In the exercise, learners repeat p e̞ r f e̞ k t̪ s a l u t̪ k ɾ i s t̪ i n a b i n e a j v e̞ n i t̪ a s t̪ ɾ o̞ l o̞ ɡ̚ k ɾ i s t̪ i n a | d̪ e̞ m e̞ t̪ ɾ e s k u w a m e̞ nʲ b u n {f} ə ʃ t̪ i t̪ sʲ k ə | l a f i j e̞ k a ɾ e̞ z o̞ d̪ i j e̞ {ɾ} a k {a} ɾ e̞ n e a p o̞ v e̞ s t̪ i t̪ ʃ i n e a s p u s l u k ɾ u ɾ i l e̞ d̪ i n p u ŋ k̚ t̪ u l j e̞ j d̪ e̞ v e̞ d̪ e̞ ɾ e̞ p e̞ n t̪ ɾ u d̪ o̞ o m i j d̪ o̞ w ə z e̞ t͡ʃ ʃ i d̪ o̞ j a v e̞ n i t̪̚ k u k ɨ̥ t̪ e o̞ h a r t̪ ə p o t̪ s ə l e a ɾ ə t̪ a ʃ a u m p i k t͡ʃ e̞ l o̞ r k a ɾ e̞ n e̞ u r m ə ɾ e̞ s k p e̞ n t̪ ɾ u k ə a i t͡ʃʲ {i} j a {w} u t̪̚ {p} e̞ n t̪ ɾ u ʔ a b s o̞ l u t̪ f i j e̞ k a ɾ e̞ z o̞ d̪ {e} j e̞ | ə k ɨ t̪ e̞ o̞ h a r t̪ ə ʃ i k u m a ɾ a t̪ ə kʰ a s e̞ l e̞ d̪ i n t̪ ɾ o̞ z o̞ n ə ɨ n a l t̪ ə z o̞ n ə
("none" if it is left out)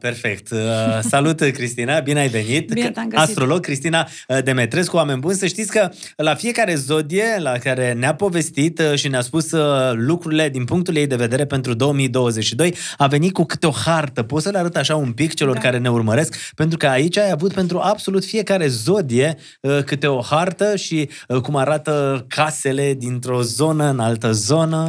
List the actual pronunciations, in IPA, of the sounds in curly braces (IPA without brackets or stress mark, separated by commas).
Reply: s, l, a, a, v, p, i